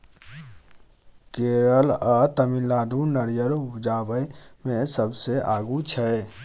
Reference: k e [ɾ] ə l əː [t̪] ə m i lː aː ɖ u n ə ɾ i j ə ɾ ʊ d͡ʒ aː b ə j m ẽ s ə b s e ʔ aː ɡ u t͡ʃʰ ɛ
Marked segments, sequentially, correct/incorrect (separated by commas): correct, correct